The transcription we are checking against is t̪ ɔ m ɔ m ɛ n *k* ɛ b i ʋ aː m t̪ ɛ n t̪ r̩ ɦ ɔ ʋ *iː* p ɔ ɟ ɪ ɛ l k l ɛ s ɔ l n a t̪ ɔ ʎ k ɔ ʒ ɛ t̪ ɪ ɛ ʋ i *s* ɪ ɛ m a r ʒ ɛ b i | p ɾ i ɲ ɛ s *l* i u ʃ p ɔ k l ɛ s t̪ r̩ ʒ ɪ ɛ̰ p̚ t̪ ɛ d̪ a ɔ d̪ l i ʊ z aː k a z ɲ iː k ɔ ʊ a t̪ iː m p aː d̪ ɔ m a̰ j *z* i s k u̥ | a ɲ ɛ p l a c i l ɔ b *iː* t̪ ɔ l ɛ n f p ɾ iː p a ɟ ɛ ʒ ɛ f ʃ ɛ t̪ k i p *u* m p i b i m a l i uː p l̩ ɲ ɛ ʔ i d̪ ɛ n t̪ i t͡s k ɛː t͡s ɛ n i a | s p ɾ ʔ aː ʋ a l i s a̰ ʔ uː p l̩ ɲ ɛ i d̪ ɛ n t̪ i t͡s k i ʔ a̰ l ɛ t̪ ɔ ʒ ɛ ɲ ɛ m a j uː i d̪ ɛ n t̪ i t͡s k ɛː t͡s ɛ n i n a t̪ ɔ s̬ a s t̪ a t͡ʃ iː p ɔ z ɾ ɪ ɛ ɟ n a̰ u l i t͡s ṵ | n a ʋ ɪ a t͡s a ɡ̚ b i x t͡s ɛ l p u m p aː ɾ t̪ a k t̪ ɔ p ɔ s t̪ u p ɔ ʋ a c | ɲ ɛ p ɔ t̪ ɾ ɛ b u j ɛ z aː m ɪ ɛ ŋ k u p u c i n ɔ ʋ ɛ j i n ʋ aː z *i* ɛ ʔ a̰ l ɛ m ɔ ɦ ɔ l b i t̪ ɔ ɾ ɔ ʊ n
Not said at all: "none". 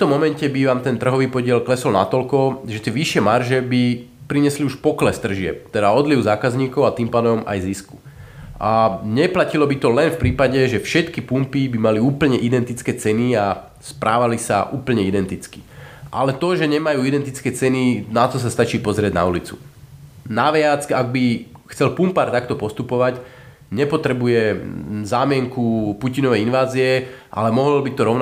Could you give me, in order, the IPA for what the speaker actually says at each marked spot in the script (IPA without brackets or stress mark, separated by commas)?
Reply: c, iː, ʃ, l, z, i, u, i